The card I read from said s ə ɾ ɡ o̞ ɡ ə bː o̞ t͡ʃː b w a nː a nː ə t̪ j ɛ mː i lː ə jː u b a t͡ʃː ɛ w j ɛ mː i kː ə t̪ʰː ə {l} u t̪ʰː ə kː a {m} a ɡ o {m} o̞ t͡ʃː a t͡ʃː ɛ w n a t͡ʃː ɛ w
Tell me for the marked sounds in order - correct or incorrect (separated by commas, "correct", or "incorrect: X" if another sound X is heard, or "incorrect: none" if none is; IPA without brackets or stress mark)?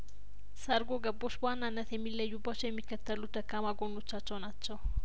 correct, correct, incorrect: n